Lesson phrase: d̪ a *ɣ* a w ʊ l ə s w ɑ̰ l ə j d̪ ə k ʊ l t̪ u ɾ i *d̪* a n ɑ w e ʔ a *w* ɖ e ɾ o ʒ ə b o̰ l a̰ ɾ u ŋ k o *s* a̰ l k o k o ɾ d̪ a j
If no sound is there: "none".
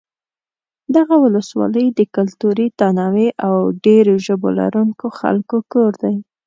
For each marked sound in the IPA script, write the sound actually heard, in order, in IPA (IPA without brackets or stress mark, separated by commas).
ɣ, t̪, w, x